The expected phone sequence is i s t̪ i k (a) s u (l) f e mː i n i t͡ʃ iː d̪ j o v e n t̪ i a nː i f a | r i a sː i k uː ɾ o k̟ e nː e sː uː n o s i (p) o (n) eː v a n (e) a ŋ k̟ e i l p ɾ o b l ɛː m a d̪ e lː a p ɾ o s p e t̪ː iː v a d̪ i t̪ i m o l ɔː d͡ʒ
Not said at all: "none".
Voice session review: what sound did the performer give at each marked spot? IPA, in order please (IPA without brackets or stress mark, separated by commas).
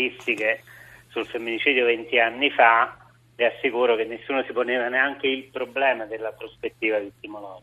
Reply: e, l, p, n, e